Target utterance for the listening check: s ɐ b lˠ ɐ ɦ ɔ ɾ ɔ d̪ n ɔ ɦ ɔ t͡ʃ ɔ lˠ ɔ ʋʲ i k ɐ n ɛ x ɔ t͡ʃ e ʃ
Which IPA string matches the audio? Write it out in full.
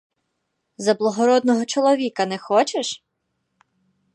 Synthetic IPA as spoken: z ɐ b lˠ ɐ ɦ ɔ ɾ ɔ d̪ n ɔ ɦ ɔ t͡ʃ ɔ lˠ ɔ ʋʲ i k ɐ n ɛ x ɔ t͡ʃ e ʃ